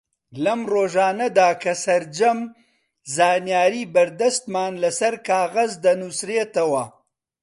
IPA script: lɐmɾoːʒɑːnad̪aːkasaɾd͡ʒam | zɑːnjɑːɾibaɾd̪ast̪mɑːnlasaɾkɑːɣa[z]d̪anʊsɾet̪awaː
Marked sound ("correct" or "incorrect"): correct